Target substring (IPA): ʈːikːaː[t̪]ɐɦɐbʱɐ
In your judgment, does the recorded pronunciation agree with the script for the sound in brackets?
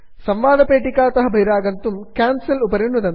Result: yes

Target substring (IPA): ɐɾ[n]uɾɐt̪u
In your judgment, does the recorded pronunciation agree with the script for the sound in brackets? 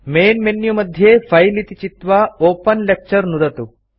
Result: yes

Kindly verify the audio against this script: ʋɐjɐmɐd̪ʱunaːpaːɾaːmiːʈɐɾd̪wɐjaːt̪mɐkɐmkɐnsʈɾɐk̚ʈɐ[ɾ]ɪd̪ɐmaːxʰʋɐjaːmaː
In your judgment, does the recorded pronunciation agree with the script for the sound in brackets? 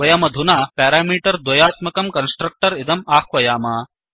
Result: yes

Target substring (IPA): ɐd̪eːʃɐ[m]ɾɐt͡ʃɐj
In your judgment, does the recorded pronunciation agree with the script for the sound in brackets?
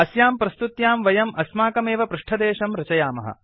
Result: yes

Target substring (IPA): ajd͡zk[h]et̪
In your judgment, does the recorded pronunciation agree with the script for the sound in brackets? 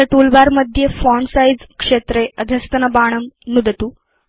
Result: no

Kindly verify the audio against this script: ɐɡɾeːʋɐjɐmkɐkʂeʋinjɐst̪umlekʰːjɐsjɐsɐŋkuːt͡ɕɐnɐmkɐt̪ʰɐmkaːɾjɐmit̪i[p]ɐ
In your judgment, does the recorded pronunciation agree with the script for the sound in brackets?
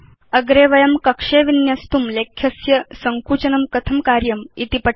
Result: yes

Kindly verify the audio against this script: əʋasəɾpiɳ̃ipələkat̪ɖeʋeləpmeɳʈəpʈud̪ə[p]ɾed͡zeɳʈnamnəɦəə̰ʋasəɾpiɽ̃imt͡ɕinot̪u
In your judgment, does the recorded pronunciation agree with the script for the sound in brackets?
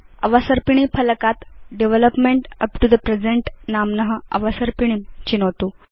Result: yes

